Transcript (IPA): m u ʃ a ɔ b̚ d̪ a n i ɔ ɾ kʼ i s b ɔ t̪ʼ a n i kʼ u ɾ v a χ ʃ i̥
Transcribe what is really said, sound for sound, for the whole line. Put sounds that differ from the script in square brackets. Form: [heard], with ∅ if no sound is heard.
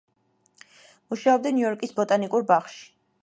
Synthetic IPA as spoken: m u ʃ a ɔ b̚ d̪ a n i ɔ ɾ kʼ i s b ɔ t̪ʼ a n i kʼ u ɾ [b] a χ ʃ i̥